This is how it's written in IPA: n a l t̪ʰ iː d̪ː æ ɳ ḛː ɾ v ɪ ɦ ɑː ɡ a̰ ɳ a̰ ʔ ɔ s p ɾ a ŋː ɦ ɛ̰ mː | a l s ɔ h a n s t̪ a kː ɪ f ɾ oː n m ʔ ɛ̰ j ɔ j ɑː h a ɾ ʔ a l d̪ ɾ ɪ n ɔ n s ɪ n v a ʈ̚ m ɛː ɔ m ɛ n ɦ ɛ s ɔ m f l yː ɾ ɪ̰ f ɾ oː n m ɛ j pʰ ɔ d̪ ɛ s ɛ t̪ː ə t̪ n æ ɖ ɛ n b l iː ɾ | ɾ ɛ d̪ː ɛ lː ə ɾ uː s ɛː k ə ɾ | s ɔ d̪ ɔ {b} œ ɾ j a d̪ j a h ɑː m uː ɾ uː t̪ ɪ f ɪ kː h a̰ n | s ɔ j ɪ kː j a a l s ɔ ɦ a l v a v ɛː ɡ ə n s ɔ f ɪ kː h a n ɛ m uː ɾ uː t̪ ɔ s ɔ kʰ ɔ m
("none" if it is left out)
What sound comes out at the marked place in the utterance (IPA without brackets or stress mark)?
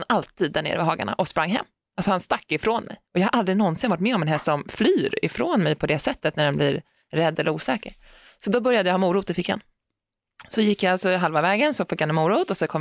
b